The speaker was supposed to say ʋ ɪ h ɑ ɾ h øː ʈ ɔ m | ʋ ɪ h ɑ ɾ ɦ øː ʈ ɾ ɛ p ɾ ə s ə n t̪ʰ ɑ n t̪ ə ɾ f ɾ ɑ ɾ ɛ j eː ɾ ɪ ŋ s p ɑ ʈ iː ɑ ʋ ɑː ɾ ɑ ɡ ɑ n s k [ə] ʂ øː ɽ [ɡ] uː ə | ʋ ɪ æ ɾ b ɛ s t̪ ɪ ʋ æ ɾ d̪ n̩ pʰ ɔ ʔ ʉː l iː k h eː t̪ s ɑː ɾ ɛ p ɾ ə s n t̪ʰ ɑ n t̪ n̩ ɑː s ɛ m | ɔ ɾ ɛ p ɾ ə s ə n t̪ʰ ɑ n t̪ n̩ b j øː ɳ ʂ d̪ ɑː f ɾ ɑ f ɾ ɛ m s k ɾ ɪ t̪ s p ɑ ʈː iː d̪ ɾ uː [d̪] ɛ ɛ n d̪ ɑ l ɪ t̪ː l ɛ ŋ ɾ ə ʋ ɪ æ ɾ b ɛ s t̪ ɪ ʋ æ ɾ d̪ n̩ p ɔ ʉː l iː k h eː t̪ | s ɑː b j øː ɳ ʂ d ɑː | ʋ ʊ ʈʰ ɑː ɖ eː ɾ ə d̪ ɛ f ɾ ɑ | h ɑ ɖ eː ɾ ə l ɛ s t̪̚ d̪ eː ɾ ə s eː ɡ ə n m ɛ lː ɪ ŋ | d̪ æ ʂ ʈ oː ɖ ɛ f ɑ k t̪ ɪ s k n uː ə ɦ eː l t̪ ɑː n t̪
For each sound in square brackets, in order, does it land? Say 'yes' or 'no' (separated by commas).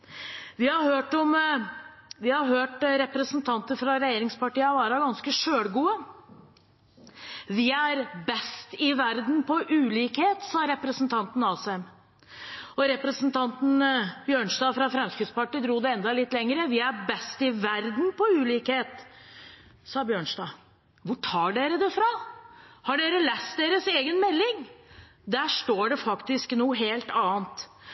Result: yes, yes, yes